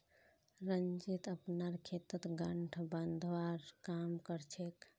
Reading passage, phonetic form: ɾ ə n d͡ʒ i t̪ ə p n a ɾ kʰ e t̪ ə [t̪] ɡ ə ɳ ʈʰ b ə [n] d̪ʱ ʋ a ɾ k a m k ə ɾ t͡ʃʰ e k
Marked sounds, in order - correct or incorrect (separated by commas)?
correct, correct